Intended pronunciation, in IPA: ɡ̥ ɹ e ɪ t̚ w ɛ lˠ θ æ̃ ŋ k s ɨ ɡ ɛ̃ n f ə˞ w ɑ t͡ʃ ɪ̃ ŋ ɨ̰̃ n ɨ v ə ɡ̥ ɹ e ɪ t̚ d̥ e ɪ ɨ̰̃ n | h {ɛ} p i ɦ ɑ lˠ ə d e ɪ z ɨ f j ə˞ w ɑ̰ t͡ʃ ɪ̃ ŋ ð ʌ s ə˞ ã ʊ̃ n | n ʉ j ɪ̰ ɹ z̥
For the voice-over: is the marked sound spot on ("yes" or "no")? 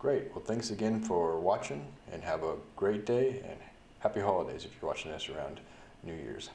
no